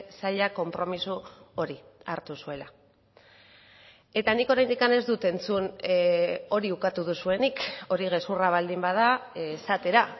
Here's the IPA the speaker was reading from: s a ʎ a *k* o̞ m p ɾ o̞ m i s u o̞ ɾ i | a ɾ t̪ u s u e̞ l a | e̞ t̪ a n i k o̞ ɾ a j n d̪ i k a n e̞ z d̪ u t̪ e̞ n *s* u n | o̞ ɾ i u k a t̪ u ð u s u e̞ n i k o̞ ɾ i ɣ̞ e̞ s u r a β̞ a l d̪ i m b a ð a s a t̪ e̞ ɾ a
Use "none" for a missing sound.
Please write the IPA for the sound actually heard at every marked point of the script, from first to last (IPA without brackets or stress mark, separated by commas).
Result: k, t͡s